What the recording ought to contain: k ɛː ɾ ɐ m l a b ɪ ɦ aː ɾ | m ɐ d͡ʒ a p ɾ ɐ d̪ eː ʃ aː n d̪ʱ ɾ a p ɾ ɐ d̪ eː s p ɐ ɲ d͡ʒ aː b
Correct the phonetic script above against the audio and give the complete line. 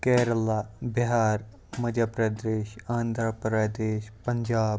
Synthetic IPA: k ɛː ɾ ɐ l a b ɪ ɦ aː ɾ | m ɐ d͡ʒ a p ɾ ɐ d̪ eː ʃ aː n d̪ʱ ɾ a p ɾ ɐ d̪ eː ʃ p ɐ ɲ d͡ʒ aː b